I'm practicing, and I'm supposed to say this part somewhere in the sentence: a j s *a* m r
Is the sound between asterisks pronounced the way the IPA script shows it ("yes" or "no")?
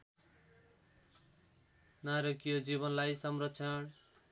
no